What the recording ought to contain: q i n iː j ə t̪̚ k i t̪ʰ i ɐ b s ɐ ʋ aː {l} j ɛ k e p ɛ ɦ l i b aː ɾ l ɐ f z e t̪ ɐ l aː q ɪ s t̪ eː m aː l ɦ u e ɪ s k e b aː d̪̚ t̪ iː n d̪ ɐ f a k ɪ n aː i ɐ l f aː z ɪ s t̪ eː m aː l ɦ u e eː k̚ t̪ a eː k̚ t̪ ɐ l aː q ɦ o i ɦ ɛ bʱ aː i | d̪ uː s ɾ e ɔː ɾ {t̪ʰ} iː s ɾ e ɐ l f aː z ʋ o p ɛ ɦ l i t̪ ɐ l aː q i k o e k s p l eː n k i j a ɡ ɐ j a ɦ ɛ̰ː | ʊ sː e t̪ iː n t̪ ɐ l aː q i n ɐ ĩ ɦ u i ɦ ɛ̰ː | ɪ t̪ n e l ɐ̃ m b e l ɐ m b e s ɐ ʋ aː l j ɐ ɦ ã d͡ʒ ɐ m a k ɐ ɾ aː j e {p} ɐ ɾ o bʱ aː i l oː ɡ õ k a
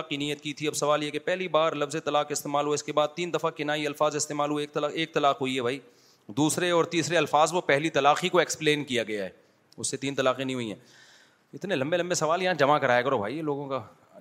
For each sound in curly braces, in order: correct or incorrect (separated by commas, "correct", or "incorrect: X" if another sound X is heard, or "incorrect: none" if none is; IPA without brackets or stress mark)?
correct, incorrect: t̪, incorrect: k